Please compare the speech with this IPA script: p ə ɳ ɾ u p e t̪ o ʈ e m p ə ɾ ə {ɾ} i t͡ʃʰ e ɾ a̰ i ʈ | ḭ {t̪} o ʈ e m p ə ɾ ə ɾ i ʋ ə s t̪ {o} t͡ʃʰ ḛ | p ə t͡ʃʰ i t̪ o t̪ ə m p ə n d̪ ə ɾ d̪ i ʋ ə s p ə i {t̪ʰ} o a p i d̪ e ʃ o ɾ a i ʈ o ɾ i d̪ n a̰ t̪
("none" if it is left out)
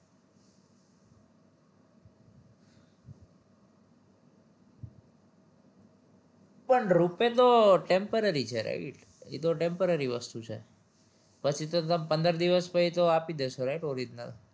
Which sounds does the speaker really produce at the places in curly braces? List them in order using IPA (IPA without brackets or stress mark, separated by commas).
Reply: ɾ, t̪, u, t̪